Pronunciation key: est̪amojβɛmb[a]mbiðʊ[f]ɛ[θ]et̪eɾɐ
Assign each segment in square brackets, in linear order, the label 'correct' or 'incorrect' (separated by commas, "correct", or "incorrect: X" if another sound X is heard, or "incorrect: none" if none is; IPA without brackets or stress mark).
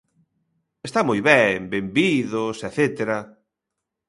incorrect: e, incorrect: s, correct